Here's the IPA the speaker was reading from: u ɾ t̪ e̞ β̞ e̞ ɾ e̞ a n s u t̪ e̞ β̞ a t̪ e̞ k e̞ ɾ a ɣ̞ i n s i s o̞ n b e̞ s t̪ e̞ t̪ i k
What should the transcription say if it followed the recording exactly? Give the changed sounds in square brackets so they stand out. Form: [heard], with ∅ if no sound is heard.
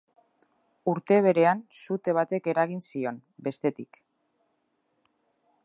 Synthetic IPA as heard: u ɾ t̪ e̞ β̞ e̞ ɾ e̞ a n s u t̪ e̞ β̞ a t̪ e̞ k e̞ ɾ a ɣ̞ i n s i [∅] o̞ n b e̞ s t̪ e̞ t̪ i k

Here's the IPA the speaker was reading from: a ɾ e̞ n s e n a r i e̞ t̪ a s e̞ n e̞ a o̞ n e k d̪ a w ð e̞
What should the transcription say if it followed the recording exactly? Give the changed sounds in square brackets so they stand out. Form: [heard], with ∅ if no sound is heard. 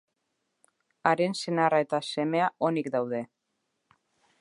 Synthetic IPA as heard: a ɾ e̞ n s e n a r [a] e̞ t̪ a s e̞ [m] e̞ a o̞ n [i] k d̪ a w ð e̞

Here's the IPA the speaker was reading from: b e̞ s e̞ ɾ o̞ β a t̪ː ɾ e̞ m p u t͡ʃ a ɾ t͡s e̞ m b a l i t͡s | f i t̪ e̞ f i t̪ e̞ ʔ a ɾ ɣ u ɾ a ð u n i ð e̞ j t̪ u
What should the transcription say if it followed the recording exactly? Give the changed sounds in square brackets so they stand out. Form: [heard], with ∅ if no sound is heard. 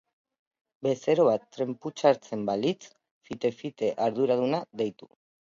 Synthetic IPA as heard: b e̞ s e̞ ɾ o̞ β a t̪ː ɾ e̞ m p u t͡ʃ a ɾ t͡s e̞ m b a l i t͡s | f i t̪ e̞ f i t̪ e̞ ʔ a ɾ [ð] u ɾ a ð u n [a] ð e̞ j t̪ u

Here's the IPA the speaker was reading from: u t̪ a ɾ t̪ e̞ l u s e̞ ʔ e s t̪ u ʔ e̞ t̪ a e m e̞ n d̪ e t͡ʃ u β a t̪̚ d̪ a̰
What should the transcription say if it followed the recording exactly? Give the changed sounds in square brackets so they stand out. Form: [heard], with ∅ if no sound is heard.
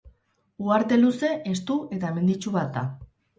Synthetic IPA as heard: u [∅] a ɾ t̪ e̞ l u s e̞ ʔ e s t̪ u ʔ e̞ t̪ a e m e̞ n d̪ [i] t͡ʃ u β a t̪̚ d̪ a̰

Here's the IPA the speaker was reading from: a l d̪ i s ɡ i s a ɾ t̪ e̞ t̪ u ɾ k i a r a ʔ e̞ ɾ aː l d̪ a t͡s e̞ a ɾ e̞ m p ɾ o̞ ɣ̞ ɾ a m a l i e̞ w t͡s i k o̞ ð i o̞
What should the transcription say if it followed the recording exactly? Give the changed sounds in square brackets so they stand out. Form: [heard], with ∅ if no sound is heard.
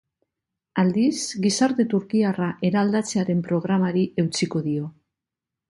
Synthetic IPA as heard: a l d̪ i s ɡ i s a ɾ t̪ e̞ t̪ u ɾ k i a r a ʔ e̞ ɾ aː l d̪ a t͡s e̞ a ɾ e̞ m p ɾ o̞ ɣ̞ ɾ a m a [ɾ] i e̞ w t͡s i k o̞ ð i o̞

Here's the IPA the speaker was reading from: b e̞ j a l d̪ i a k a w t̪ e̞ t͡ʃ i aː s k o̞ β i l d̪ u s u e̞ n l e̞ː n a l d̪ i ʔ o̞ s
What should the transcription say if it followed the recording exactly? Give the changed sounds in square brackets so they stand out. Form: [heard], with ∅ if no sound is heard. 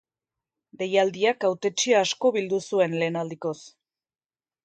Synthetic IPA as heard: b e̞ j a l d̪ i a k a w t̪ e̞ t͡ʃ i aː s k o̞ β i l d̪ u s u e̞ n l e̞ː n a l d̪ i [k] o̞ s

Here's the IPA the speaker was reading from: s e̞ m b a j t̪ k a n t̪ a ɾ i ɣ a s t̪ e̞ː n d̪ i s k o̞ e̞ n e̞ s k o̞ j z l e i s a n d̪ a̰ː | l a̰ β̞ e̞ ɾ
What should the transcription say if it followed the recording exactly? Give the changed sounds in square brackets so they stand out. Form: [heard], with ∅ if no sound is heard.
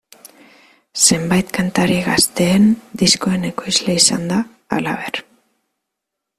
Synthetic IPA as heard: s e̞ m b a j t̪ k a n t̪ a ɾ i ɣ a s t̪ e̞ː n d̪ i s k o̞ e̞ n e̞ [∅] k o̞ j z l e i s a n d̪ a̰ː | l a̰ β̞ e̞ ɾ

